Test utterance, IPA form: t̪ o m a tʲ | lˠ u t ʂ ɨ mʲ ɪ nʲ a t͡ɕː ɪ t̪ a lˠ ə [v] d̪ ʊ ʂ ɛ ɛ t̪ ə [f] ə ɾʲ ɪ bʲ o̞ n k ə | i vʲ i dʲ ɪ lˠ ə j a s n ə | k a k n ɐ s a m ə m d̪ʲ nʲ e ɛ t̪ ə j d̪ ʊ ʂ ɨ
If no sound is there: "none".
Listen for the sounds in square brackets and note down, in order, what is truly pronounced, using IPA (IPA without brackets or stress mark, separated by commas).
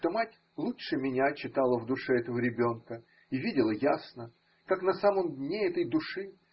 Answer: v, v